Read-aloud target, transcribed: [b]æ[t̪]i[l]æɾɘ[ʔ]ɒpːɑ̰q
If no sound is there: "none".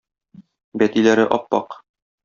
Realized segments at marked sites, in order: b, t̪, l, ʔ

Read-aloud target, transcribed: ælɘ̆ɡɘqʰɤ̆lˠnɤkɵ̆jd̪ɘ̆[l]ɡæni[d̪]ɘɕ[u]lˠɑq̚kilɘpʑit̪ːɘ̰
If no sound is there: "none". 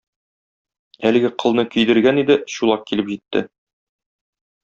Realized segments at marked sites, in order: ɾ, d̪, u

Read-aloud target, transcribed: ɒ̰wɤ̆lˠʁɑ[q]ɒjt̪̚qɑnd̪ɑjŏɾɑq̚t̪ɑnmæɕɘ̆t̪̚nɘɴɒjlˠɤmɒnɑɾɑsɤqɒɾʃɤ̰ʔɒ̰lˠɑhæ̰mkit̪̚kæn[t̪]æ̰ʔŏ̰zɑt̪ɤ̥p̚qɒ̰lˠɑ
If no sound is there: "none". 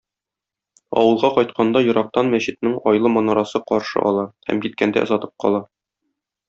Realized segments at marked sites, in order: q, d̪

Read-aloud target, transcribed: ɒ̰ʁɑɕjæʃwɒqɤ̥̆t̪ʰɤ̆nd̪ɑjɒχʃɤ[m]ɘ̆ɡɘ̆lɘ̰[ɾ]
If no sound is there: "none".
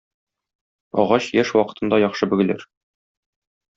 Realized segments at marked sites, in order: b, ɾ

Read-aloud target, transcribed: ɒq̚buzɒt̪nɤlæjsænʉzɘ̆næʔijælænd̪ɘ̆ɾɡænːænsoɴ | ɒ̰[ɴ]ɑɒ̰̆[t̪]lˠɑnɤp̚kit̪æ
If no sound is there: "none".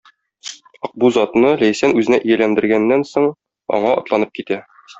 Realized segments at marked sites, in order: ɴ, t̪

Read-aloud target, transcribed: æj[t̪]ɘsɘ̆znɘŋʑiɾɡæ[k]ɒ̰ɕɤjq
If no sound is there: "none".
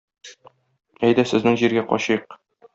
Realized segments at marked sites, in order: d̪, q

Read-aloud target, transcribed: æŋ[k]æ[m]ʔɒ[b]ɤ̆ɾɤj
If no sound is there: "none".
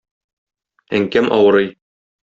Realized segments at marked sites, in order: k, m, w

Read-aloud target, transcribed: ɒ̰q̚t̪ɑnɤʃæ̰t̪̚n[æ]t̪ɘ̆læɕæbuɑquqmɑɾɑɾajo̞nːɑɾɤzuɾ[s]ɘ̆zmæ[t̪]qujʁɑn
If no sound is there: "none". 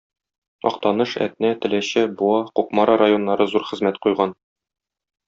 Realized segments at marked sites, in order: æ, χ, t̪

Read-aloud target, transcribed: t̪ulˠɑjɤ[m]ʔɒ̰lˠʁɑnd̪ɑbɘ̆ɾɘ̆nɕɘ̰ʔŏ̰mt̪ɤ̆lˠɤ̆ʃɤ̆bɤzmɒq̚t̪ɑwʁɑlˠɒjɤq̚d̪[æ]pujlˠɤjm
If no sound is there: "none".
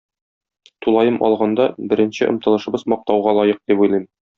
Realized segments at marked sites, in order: m, i

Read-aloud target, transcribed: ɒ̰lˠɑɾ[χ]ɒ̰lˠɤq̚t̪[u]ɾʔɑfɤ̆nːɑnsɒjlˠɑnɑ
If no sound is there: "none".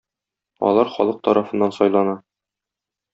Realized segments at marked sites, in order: χ, ɒ

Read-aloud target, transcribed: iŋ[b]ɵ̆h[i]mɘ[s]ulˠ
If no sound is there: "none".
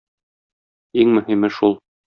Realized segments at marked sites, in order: m, i, ʃ

